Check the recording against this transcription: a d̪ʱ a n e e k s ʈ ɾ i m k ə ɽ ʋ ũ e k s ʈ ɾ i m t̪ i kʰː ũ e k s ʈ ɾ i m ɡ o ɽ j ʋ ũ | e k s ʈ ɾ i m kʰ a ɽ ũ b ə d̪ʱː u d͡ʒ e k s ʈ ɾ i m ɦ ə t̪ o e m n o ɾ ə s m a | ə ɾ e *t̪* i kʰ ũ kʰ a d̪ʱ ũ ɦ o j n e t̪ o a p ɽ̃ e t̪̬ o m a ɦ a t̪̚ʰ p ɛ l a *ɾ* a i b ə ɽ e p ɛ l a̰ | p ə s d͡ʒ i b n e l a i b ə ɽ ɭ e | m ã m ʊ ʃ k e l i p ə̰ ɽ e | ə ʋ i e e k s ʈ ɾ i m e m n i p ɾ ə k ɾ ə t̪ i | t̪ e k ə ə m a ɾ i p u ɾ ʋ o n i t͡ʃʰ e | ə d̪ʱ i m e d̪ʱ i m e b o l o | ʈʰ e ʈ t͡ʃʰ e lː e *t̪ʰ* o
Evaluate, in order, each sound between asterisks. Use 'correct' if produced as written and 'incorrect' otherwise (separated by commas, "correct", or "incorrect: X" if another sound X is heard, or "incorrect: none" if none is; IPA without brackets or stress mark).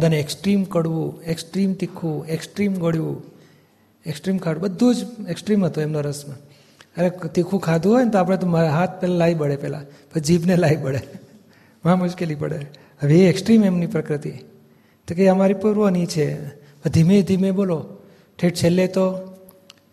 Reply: correct, incorrect: l, incorrect: t̪